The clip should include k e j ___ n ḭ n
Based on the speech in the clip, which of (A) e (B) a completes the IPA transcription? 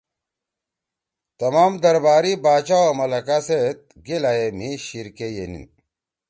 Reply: A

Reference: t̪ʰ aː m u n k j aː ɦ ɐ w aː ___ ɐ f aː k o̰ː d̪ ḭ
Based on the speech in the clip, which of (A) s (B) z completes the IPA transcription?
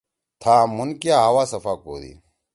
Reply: A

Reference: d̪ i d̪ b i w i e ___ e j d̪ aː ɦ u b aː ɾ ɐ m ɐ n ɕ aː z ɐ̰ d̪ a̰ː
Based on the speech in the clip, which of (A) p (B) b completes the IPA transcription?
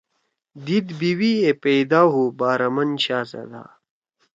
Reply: A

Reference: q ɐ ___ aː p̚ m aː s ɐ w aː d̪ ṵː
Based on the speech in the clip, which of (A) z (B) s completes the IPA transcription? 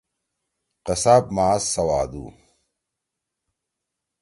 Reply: B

